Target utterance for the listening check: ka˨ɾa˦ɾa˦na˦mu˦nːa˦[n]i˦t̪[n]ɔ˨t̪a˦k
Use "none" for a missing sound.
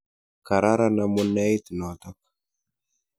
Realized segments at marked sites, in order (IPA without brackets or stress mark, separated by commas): none, n